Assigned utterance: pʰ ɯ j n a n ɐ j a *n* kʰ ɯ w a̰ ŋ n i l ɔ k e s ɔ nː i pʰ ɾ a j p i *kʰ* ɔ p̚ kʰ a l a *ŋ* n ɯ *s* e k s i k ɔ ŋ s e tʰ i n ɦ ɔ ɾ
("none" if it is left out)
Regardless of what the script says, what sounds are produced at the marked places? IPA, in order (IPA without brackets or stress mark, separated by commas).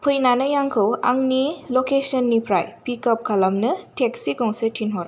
ŋ, k, m, t